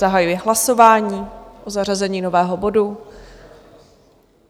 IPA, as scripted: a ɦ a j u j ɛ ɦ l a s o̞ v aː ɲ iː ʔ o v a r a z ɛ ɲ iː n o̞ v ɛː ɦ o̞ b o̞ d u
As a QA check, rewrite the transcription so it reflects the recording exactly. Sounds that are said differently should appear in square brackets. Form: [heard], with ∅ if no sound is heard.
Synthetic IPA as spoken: a ɦ a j u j ɛ ɦ l a s o̞ v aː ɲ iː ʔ o [z] a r a z ɛ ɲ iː n o̞ v ɛː ɦ o̞ b o̞ d u